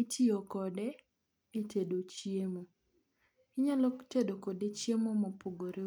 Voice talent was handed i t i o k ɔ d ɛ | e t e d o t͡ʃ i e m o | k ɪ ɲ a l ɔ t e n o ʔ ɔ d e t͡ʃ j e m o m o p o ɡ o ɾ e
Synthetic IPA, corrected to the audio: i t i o k ɔ d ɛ | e t e d o t͡ʃ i e m o | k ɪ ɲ a l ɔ t e d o k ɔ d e t͡ʃ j e m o m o p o ɡ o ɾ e